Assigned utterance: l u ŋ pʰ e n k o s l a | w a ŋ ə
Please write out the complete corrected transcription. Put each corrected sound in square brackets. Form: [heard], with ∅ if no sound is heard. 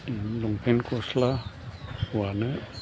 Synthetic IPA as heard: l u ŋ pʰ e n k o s l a | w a [n] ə

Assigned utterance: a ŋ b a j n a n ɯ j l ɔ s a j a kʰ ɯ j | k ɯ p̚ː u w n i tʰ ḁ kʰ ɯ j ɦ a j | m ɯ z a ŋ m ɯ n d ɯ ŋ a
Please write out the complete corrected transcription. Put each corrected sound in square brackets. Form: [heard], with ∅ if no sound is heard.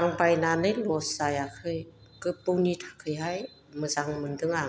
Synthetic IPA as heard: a ŋ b a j n a n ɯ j l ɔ s a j a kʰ ɯ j | k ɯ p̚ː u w n i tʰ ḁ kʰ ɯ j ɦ a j | m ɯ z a ŋ m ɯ n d ɯ ŋ a

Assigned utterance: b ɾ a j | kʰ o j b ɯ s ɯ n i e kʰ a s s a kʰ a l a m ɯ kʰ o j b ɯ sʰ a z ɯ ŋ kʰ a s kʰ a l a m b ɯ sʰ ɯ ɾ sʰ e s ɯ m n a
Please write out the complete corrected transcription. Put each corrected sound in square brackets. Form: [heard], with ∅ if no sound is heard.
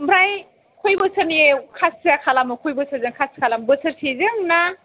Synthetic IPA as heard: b ɾ a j | kʰ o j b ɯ s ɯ n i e kʰ a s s a kʰ a l a m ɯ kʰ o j b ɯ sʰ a z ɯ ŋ kʰ a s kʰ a l a m b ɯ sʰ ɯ ɾ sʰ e [z] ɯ [ŋ] n a

